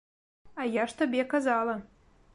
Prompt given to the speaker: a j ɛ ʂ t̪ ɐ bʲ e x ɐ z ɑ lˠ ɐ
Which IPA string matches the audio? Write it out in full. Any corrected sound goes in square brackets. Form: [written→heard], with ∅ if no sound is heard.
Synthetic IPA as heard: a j [ɛ→a] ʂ t̪ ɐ bʲ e [x→k] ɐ z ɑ lˠ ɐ